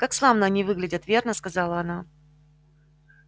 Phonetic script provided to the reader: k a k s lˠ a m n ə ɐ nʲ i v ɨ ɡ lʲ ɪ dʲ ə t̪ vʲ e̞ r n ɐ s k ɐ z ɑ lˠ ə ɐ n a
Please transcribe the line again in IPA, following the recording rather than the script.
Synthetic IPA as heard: k a k s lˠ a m n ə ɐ nʲ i v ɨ ɡ lʲ ɪ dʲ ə t̪ vʲ e̞ r n ə s k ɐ z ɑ lˠ ə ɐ n a